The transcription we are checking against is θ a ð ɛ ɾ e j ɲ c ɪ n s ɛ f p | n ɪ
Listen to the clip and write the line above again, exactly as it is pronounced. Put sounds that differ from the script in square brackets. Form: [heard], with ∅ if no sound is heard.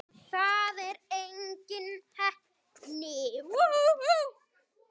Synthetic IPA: θ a ð ɛ ɾ e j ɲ c ɪ n [h] ɛ [h] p | n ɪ

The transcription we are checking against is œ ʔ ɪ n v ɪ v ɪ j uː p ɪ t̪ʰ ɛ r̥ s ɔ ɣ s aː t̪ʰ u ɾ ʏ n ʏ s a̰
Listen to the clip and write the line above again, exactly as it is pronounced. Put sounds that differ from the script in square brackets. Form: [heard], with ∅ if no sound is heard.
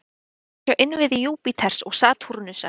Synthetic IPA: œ ʔ ɪ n v ɪ [ð] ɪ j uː p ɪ t̪ʰ ɛ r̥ s ɔ ɣ s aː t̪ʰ u ɾ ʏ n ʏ s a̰

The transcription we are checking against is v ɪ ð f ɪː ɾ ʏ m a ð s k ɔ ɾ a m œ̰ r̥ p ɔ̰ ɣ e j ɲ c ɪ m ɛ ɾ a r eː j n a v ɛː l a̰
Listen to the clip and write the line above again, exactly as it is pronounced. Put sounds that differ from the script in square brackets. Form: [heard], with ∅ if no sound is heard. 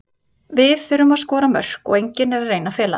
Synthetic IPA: v ɪ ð f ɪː ɾ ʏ m a ð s k [ɔː] ɾ a m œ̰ r̥ [k] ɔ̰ ɣ e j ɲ c ɪ [n] ɛ ɾ a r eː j n a [f] ɛː l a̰

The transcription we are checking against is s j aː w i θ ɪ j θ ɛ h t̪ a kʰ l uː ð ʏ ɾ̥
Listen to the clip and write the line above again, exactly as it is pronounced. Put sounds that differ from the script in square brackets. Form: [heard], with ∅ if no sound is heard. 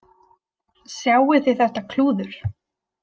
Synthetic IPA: s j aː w [ɪ] θ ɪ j θ ɛ h t̪ a kʰ l uː ð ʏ ɾ̥

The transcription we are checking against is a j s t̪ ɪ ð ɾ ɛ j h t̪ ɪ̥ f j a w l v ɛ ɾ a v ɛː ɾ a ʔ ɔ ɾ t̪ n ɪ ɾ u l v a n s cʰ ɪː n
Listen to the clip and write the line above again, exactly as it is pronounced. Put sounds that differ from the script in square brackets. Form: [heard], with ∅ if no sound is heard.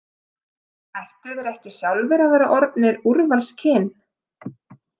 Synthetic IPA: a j [h] t̪ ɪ ð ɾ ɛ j h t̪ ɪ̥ [s] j a w l v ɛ ɾ a v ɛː ɾ a ʔ ɔ ɾ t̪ n ɪ ɾ u [ɾ] v a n s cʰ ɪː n

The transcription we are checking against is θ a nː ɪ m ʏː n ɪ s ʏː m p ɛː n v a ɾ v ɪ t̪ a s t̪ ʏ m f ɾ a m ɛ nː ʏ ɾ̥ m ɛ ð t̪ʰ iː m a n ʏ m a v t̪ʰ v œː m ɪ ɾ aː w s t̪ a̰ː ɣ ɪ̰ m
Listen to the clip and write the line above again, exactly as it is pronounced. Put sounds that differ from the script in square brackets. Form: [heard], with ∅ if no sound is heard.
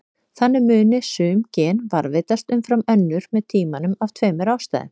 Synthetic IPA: θ a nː ɪ m ʏː n ɪ s ʏː m [c] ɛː n v a ɾ v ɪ t̪ a s t̪ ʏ m f ɾ a m [œ] nː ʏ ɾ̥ m ɛ ð t̪ʰ iː m a n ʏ m a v t̪ʰ v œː m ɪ ɾ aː w s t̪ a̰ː [ð] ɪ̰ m

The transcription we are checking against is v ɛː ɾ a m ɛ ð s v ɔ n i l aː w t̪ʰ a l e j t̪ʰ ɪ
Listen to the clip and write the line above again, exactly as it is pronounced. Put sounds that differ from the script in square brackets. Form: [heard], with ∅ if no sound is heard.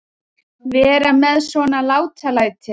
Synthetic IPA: v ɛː ɾ a m ɛ ð s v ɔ n [a] l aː w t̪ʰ a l [a] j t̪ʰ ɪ

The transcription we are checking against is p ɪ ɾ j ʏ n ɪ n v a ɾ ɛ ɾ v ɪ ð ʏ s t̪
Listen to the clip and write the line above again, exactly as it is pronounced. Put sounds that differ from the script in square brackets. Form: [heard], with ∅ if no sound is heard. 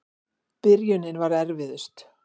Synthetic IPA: p ɪ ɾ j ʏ n ɪ n v a ɾ ɛ ɾ v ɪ ð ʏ s t̪

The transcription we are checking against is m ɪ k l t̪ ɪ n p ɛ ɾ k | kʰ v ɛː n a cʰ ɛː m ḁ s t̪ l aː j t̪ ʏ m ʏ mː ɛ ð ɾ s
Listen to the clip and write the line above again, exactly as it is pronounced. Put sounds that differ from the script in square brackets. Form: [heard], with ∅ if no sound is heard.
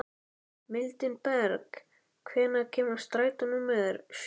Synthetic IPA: m ɪ [∅] l t̪ ɪ n p ɛ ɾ k | kʰ v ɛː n a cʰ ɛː m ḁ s t̪ [ɾ] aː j t̪ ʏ [n] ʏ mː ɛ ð ɾ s

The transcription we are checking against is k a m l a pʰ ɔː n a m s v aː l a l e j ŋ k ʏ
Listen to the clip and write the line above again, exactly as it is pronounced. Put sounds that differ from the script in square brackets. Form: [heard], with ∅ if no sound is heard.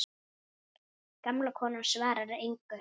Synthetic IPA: k a m l a [kʰ] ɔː n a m s v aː [ɾ] a [ɾ] e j ŋ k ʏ

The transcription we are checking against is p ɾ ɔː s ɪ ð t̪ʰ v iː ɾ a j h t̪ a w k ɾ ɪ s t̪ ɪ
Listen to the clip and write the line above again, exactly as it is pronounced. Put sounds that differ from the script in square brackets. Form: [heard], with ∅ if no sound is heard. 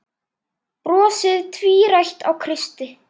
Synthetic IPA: p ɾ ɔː s ɪ ð t̪ʰ v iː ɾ a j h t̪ a w [kʰ] ɾ ɪ s t̪ ɪ

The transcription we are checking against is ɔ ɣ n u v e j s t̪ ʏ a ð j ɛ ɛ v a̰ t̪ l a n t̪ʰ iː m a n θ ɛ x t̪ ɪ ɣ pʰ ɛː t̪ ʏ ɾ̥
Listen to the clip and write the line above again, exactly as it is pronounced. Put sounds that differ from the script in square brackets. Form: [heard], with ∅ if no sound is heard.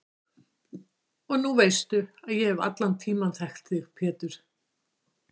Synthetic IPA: ɔ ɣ n u v e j s t̪ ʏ a ð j ɛ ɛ v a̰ t̪ l a n t̪ʰ iː m a n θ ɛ x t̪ ɪ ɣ pʰ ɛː t̪ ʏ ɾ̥

